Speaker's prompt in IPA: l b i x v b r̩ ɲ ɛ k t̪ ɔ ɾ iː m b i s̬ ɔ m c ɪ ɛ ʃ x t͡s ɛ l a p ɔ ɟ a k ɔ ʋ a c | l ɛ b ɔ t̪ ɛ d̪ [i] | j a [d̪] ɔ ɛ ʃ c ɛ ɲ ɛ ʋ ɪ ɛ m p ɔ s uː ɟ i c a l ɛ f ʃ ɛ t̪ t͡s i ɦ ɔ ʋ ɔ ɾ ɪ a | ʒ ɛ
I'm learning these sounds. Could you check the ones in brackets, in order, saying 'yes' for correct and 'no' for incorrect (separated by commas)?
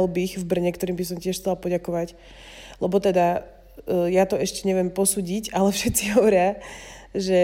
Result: no, no